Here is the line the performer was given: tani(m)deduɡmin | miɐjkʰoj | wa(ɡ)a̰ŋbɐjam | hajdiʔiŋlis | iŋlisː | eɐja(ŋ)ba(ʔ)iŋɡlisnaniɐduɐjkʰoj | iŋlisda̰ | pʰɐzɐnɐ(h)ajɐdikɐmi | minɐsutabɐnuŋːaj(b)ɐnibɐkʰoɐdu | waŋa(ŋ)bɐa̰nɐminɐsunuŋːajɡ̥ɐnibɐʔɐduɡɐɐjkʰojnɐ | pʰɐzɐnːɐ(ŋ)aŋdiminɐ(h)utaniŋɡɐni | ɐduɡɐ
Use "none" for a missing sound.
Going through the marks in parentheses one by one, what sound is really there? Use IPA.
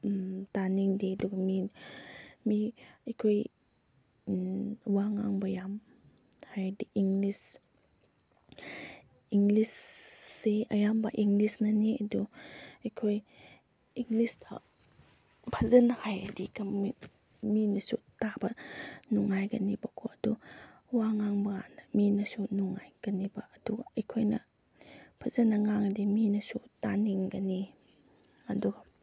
ŋ, ŋ, m, ʔ, h, ɡ, ŋ, ŋ, s

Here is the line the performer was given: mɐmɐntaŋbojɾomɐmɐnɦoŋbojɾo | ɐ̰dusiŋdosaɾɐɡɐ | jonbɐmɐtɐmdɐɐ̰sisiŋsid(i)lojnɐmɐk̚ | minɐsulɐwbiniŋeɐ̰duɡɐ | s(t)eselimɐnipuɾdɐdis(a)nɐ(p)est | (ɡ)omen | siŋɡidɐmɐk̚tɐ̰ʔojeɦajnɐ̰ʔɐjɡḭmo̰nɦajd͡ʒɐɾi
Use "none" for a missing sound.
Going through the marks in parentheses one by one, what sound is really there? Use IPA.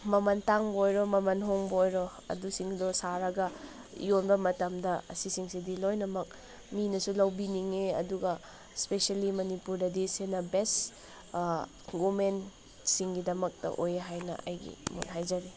i, p, e, b, ɡ

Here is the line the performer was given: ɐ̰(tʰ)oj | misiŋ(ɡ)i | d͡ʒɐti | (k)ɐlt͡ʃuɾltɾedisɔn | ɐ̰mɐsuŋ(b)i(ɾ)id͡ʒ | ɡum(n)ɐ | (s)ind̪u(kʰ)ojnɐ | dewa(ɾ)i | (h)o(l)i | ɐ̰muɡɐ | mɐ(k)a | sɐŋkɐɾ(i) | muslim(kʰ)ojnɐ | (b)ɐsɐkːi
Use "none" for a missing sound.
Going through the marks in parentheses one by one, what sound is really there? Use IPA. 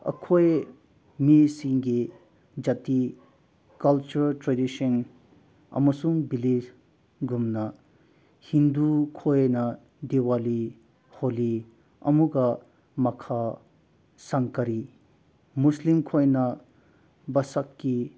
kʰ, ɡ, k, b, l, n, h, kʰ, l, h, l, kʰ, i, kʰ, b

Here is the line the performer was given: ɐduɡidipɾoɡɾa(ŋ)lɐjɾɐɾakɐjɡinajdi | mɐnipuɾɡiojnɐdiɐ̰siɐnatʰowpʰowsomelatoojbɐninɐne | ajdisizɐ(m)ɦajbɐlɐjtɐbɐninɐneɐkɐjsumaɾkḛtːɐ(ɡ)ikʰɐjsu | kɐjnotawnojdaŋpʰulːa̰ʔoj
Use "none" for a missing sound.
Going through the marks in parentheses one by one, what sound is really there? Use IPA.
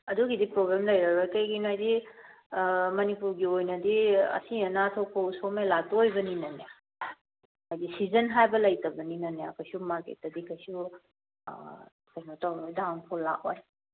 m, n, d

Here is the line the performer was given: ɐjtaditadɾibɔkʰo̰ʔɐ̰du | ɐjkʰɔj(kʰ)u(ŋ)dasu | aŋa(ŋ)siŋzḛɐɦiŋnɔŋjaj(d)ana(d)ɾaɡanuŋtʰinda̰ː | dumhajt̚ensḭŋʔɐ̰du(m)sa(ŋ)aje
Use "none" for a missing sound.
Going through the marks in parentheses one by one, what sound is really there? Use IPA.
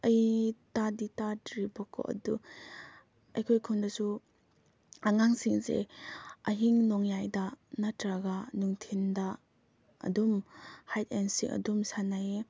kʰ, n, ŋ, d, t, m, n

